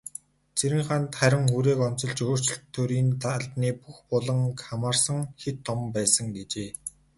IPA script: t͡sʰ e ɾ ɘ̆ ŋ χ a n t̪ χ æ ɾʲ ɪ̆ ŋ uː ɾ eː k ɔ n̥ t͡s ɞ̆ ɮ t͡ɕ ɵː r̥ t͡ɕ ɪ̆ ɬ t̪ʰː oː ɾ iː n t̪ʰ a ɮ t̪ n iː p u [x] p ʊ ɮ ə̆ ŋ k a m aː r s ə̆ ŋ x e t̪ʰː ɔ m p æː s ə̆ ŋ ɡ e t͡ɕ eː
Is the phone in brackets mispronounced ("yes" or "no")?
no